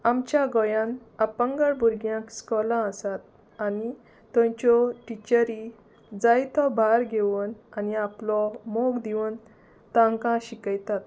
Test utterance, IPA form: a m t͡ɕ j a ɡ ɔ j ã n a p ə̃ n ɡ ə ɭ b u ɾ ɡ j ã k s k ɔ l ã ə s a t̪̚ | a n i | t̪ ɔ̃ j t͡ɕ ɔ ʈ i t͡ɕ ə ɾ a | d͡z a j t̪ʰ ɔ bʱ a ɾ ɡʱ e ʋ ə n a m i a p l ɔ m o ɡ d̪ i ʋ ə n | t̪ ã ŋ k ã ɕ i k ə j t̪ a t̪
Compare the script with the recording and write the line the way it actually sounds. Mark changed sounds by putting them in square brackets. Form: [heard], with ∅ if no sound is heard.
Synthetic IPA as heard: a m t͡ɕ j a ɡ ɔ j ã n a p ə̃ [ŋ] ɡ ə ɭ b u ɾ ɡ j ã k s k ɔ l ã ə s a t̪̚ | a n i | t̪ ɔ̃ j t͡ɕ ɔ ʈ i t͡ɕ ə ɾ [i] | d͡z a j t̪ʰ ɔ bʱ a ɾ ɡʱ e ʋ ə n a [n] i a p l ɔ m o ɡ d̪ i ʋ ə n | t̪ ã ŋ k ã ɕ i k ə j t̪ a t̪